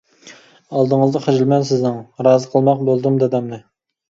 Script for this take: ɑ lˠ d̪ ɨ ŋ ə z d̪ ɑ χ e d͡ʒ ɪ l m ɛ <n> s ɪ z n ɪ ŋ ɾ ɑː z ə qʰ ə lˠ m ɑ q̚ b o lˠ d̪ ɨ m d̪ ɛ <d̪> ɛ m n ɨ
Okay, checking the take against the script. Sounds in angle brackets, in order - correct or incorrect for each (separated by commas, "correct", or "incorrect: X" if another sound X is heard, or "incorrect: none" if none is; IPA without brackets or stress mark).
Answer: correct, correct